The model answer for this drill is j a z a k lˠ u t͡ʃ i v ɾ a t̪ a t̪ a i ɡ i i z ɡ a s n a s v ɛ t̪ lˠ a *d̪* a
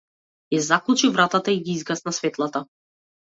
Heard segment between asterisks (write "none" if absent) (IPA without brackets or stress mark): t̪